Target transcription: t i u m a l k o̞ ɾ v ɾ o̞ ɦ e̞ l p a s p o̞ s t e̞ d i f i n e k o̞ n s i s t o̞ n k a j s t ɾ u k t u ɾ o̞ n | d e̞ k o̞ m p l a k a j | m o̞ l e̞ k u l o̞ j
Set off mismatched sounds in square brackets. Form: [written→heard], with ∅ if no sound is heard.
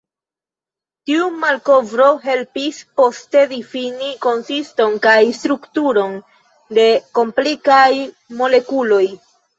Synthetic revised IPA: t i u m a l k o̞ [ɾ→∅] v ɾ o̞ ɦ e̞ l p [a→i] s p o̞ s t e̞ d i f i n [e→i] k o̞ n s i s t o̞ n k a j s t ɾ u k t u ɾ o̞ n | d e̞ k o̞ m p l [a→i] k a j | m o̞ l e̞ k u l o̞ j